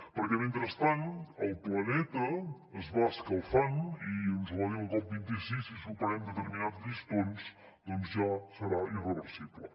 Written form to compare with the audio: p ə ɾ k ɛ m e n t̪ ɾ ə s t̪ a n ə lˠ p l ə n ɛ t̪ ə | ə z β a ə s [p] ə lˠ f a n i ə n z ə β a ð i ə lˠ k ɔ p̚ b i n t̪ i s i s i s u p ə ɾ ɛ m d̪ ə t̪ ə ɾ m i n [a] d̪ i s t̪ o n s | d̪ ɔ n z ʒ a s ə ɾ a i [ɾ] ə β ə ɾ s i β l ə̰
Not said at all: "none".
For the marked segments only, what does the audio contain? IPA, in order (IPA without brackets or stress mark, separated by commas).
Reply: k, a, r